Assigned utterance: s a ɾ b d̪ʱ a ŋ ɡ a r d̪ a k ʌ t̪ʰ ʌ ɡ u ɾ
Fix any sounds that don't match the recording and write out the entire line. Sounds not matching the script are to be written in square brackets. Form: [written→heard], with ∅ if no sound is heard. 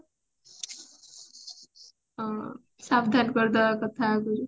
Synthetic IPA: s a [ɾ→∅] b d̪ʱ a [ŋ→n] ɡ [a→ʌ] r d̪ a k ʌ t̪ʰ [ʌ→a] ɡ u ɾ